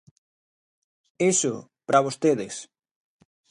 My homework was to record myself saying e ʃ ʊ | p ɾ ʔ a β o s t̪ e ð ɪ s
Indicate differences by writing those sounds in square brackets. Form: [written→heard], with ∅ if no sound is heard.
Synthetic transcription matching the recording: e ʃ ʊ | p ɾ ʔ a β o s t̪ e ð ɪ s